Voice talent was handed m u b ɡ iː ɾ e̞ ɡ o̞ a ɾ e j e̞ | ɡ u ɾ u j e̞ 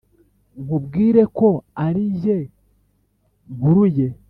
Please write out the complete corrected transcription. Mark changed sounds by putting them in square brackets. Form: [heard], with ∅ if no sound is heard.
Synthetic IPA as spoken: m u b ɡ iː ɾ e̞ [k] o̞ a ɾ [i] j e̞ | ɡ u ɾ u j e̞

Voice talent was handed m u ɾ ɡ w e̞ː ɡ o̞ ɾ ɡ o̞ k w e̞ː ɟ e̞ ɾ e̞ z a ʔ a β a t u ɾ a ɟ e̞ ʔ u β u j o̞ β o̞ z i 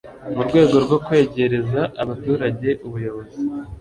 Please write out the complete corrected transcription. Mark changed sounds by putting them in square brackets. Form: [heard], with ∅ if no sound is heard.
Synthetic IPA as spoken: m u ɾ ɡ w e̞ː ɡ o̞ ɾ ɡ o̞ k w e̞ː ɟ e̞ ɾ e̞ z a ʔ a β a t [uː] ɾ a ɟ e̞ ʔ u β u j o̞ β o̞ z i

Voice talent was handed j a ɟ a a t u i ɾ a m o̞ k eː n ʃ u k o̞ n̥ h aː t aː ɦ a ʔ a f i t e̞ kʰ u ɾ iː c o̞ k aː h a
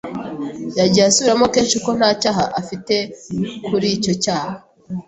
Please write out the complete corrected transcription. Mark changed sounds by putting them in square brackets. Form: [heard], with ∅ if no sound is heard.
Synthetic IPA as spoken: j a ɟ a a [s] u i ɾ a m o̞ k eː n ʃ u k o̞ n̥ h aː [c] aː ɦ a ʔ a f i t e̞ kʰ u ɾ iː c o̞ [c] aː h a

